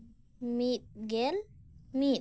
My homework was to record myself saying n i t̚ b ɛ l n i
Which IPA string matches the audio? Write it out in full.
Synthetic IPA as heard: m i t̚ ɡ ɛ l m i